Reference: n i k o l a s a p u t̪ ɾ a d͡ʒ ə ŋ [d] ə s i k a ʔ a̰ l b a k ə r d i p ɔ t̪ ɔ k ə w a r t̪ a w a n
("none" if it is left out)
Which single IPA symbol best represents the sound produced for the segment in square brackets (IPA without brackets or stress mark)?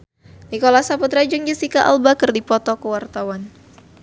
d͡ʒ